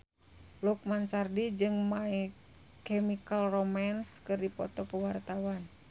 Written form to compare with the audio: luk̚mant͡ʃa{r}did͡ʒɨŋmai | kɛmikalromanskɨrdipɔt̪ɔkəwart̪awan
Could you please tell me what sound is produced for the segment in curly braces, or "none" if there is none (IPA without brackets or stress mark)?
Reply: r